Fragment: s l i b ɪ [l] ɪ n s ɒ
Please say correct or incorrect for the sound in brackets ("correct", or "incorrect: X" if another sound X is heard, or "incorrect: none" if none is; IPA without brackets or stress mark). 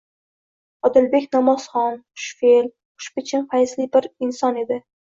incorrect: ɾ